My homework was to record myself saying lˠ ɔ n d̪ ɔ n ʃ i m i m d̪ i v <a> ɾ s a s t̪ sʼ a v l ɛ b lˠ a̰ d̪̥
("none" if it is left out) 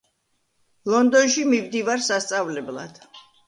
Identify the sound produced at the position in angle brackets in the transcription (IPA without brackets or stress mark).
a